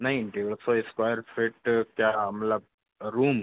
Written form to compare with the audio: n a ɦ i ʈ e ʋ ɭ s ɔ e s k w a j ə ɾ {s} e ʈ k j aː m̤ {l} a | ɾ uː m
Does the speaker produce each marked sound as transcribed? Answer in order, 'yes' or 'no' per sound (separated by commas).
no, yes